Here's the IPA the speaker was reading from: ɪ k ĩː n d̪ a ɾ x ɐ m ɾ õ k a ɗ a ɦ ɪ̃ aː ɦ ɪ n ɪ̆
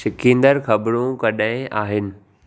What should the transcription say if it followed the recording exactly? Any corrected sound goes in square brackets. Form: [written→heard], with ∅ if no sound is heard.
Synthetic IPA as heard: ɪ k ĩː n d̪ [a→ə] ɾ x ɐ [m→b] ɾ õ k [a→ɐ] ɗ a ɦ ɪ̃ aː ɦ ɪ n ɪ̆